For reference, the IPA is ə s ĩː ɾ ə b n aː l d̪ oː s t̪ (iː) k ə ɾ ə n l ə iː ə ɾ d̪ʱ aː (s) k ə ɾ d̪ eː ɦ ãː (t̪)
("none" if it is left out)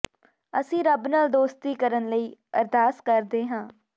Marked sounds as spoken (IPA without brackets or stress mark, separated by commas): iː, s, none